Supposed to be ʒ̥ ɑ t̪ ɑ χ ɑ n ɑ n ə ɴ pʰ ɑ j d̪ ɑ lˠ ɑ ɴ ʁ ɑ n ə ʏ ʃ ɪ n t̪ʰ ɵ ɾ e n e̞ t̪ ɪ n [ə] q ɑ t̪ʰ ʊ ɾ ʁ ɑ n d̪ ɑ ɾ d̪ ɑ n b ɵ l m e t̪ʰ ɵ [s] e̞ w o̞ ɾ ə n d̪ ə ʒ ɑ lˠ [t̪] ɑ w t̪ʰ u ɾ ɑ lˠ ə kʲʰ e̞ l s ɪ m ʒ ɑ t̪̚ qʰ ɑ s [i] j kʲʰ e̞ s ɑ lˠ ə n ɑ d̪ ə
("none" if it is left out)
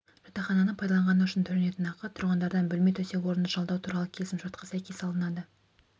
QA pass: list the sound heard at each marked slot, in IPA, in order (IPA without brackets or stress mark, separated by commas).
ɑ, s, d̪, æ